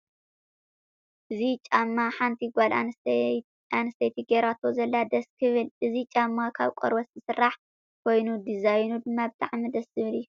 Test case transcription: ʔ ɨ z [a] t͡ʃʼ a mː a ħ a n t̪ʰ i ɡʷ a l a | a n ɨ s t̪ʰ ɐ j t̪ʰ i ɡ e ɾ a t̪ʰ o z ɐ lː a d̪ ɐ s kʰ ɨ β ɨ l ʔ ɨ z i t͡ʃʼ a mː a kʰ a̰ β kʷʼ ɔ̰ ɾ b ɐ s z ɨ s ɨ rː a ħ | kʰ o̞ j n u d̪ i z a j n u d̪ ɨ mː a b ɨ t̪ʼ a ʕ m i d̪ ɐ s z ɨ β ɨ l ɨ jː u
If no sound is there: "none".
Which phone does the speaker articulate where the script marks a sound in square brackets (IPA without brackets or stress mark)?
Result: i